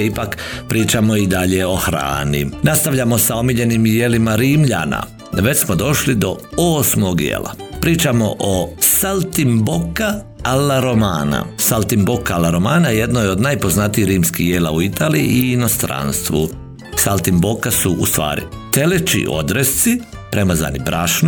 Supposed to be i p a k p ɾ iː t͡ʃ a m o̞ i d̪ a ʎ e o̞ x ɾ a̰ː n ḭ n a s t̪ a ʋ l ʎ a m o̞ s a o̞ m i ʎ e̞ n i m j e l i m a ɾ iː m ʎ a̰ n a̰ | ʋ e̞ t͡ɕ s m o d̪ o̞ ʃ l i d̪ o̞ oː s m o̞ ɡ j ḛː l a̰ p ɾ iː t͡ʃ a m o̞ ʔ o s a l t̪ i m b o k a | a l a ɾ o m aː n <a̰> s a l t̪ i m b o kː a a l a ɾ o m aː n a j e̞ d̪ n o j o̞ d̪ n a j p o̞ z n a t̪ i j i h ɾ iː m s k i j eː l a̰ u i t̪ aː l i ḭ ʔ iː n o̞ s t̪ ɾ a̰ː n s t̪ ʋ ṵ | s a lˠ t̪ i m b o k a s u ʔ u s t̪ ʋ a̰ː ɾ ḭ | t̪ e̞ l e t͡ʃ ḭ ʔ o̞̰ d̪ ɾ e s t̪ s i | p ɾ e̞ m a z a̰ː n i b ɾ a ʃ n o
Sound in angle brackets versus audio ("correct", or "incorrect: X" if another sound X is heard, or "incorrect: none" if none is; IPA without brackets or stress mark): correct